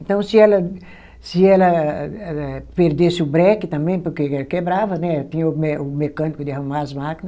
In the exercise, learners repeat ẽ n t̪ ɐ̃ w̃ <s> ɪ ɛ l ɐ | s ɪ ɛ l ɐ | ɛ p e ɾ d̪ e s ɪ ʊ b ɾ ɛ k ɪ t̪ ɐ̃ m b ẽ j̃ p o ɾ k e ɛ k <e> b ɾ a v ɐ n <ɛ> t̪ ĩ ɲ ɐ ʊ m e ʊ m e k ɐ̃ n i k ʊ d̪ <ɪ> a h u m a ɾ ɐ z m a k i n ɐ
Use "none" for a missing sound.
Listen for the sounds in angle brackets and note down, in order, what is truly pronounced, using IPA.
s, e, ɛ, ɪ

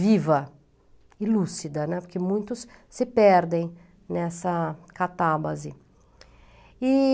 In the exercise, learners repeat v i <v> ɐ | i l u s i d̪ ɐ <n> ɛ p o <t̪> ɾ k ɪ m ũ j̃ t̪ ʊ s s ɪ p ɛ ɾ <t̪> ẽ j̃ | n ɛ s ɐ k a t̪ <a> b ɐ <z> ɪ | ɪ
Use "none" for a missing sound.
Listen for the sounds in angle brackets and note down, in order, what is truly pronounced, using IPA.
v, n, none, d̪, a, z

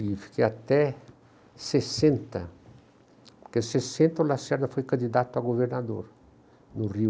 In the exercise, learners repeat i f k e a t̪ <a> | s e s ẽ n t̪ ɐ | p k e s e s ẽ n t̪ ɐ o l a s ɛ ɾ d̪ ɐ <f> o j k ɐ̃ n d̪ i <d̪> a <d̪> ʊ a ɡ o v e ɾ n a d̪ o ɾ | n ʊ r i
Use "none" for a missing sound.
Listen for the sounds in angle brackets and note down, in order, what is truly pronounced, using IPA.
ɛ, f, d̪, t̪

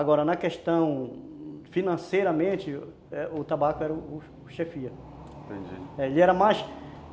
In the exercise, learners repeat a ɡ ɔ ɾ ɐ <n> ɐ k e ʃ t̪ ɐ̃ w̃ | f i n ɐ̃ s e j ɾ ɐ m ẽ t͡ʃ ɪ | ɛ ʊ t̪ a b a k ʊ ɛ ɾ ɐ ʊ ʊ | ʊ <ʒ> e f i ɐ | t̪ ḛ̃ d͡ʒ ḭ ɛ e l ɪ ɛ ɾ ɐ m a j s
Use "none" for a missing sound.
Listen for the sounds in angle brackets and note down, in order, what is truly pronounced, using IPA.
n, ʃ

